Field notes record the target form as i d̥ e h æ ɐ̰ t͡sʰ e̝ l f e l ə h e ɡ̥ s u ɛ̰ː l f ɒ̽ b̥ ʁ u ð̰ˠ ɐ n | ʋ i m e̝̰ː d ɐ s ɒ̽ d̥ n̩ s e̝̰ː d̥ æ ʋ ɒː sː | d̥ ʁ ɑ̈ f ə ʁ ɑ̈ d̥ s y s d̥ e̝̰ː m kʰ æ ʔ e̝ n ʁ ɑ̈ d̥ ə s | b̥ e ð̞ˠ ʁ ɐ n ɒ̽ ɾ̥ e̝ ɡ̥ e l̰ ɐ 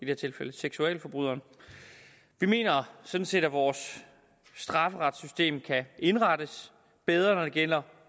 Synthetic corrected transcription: i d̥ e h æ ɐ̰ t͡sʰ e̝ l f e l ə s e ɡ̥ s u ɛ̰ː l f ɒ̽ b̥ ʁ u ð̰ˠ ɐ n | ʋ i m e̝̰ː n ɐ s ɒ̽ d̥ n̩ s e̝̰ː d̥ æ ʋ ɒː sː | d̥ ʁ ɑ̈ f ə ʁ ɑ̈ d̥ s y s d̥ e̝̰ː m kʰ æ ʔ e̝ n ʁ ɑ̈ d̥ ə s | b̥ e ð̞ˠ ʁ ɐ n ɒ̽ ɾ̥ e̝ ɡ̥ e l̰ ɐ